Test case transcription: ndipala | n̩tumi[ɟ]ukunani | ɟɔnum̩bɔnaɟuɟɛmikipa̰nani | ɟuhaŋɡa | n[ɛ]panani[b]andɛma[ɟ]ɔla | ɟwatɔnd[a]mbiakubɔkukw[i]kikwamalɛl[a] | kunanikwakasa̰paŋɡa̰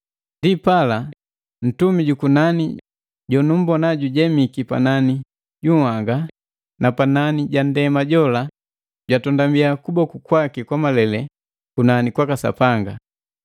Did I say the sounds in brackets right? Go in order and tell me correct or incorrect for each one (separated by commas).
correct, incorrect, incorrect, correct, correct, incorrect, incorrect